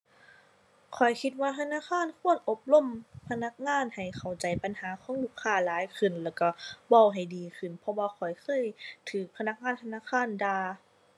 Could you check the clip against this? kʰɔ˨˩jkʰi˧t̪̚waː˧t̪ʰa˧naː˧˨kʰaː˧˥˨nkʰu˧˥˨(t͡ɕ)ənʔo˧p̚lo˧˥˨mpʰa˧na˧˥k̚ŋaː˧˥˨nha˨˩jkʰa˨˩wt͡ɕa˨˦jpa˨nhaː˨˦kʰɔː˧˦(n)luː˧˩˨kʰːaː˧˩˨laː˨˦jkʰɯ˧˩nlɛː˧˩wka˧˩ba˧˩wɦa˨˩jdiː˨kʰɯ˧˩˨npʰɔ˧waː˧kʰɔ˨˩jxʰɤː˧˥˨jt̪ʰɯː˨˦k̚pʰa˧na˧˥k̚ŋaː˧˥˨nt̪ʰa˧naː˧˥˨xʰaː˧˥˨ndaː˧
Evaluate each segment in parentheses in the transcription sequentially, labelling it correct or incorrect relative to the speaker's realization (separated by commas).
incorrect, incorrect